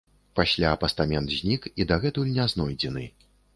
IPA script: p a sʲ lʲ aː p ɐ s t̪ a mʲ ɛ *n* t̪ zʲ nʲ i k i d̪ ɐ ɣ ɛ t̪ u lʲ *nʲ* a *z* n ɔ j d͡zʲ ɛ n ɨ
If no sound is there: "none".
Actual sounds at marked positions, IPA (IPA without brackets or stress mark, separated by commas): n, nʲ, z